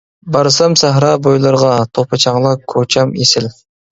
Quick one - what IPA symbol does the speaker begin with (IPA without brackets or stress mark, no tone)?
b